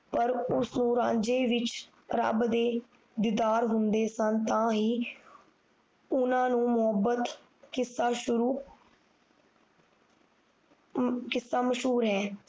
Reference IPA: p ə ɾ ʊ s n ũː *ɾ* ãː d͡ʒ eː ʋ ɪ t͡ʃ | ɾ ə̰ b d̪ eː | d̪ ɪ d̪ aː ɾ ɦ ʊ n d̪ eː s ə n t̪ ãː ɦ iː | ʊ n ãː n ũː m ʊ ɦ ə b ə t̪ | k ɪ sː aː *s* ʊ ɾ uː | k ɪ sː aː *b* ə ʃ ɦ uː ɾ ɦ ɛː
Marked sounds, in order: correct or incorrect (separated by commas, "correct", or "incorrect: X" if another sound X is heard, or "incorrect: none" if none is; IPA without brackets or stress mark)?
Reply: correct, incorrect: ʃ, incorrect: m